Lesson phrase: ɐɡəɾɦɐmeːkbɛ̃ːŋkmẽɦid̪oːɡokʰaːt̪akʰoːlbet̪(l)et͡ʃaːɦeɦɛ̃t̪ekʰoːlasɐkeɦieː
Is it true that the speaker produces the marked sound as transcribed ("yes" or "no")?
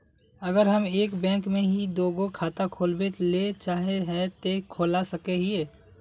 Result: yes